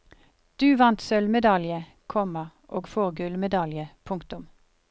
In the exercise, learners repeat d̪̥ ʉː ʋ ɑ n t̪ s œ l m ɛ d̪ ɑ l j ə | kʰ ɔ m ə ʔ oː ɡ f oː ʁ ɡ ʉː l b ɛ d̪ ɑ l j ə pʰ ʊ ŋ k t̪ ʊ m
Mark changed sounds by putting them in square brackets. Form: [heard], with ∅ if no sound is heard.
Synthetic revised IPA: d̪̥ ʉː ʋ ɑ n t̪ s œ l m ɛ d̪ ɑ l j ə | kʰ ɔ m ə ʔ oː ɡ f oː ʁ ɡ [ʉ] l [m] ɛ d̪ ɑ l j ə pʰ ʊ ŋ k t̪ ʊ m